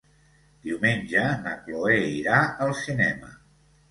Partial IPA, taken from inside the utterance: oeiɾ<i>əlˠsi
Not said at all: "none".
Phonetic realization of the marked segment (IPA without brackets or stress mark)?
a